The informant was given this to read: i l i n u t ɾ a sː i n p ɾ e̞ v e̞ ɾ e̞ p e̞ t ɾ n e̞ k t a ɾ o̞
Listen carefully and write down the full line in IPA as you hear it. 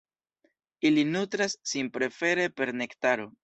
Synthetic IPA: i l i n u t ɾ a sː i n p ɾ e̞ f e̞ ɾ e̞ p e̞ ɾ n e̞ k t a ɾ o̞

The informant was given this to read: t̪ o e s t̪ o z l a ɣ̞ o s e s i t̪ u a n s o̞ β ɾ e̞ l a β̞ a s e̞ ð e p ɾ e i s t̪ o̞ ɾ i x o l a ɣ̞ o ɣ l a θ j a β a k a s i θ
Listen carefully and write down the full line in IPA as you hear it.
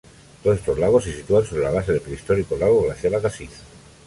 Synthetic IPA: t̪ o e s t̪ o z l a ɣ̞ o s e s i t̪ u a n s o̞ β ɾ e̞ l a β̞ a s e̞ ð e p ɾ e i s t̪ o̞ ɾ i k o l a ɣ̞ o ɣ l a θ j a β a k a s i θ

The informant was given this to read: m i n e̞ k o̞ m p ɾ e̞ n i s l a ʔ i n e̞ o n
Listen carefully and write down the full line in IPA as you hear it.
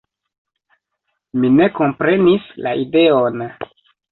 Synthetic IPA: m i n e̞ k o̞ m p ɾ e̞ n i s l a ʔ i d e̞ o n

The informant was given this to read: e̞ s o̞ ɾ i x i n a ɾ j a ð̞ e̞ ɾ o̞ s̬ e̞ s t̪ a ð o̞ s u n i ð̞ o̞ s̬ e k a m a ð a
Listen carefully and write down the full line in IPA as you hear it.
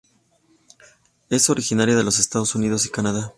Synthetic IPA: e̞ s o̞ ɾ i x i n a ɾ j a ð̞ e̞ l o̞ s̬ e̞ s t̪ a ð o̞ s u n i ð̞ o̞ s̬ i k a n a ð a

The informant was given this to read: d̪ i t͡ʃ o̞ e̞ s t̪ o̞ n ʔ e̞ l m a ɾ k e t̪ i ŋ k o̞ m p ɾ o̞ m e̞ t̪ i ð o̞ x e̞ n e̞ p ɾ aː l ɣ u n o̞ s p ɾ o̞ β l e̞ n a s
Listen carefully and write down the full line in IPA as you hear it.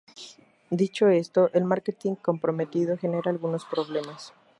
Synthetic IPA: d̪ i t͡ʃ o̞ e̞ s t̪ o̞ ʔ e̞ l m a ɾ k e t̪ i ŋ k o̞ m p ɾ o̞ m e̞ t̪ i ð o̞ x e̞ n e̞ ɾ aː l ɣ u n o̞ s p ɾ o̞ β l e̞ m a s

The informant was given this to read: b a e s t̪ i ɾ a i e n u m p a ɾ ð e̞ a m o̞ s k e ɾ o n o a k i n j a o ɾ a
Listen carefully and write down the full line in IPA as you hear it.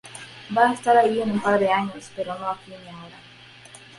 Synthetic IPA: b a e s t̪ a ɾ a i e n u m p a ɾ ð e̞ a ɲ o̞ s p e ɾ o n o a k i n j a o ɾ a

